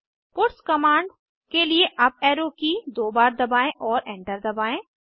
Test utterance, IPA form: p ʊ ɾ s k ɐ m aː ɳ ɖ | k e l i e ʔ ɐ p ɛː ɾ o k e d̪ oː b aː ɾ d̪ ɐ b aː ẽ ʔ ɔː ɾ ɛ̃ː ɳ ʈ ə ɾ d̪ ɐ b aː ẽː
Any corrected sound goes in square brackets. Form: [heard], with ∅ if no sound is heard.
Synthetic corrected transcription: p ʊ ɾ s k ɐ m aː ɳ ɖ | k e l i e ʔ ɐ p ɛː ɾ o k [i] d̪ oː b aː ɾ d̪ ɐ b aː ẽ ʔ ɔː ɾ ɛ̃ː ɳ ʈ ə ɾ d̪ ɐ b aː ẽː